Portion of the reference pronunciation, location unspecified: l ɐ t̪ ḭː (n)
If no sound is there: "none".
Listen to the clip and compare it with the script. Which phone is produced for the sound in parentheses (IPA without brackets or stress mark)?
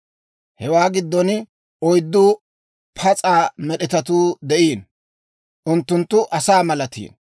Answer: n